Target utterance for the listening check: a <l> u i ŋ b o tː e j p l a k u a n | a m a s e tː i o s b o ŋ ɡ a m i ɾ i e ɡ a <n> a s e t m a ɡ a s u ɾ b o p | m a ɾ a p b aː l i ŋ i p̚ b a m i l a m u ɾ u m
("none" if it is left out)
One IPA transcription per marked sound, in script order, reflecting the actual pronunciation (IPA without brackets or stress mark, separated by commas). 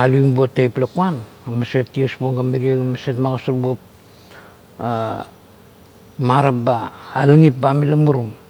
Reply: l, m